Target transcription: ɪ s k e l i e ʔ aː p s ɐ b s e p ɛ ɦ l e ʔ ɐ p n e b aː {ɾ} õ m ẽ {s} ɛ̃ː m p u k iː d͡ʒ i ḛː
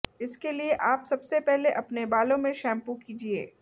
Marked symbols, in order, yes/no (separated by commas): no, no